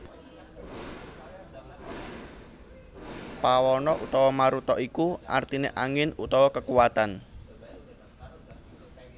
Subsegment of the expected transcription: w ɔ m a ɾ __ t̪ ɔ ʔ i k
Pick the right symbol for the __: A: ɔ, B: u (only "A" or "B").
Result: B